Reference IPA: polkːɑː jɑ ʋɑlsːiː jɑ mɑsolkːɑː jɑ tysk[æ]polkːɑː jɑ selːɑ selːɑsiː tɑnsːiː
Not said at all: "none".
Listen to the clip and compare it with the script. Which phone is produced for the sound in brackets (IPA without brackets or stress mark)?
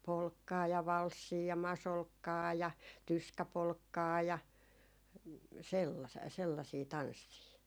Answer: æ